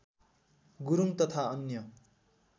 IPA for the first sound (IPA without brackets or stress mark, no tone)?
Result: ɡ